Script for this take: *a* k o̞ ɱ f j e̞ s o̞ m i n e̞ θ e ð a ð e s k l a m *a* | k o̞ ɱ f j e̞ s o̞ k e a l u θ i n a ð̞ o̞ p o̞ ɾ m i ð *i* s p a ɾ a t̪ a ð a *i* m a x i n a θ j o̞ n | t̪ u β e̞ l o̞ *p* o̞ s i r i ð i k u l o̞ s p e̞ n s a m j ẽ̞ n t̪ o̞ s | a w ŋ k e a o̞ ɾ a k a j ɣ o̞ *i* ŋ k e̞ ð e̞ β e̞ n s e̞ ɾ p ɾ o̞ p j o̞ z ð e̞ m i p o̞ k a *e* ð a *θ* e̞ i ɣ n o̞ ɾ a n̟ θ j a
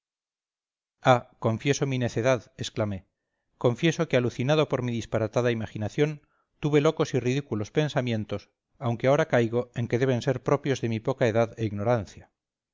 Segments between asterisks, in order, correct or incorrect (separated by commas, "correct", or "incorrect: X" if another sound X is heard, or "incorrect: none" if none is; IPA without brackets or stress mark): correct, incorrect: e, correct, correct, incorrect: k, incorrect: e, correct, incorrect: ð